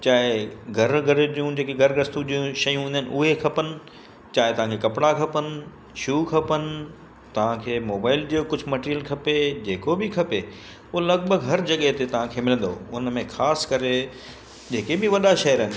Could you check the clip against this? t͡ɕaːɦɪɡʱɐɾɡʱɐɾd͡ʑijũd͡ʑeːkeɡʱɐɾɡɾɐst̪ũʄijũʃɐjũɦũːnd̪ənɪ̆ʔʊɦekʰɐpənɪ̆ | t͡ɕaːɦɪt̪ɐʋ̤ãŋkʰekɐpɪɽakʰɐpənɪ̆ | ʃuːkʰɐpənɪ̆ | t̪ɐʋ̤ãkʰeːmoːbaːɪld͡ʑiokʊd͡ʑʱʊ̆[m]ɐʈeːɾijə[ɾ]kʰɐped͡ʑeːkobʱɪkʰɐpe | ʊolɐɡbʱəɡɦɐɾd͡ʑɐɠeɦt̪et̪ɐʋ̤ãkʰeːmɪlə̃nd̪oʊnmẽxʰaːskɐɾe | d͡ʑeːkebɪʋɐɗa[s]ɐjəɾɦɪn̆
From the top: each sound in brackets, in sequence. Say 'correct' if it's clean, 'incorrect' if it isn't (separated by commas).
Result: correct, incorrect, incorrect